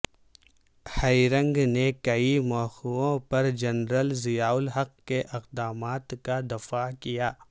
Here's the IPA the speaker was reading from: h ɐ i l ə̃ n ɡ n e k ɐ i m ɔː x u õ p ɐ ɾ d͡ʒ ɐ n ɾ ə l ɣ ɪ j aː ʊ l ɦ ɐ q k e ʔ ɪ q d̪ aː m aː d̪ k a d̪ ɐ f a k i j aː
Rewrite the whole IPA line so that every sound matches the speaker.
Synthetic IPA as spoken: h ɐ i ɾ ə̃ ŋ ɡ n e k ɐ i m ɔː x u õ p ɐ ɾ d͡ʒ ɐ n ɾ ə l z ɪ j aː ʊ l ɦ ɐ q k e ʔ ɪ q d̪ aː m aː t̪ k a d̪ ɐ f a k i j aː